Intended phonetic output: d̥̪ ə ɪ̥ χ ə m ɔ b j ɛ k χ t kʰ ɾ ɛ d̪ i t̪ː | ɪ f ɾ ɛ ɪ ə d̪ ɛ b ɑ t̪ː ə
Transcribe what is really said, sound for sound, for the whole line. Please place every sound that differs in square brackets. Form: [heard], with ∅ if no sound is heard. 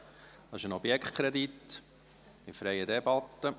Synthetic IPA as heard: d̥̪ [ɑ] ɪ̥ [ʃ] ə [n] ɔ b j ɛ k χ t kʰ ɾ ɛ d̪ i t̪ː | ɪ f ɾ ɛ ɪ ə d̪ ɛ b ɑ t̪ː ə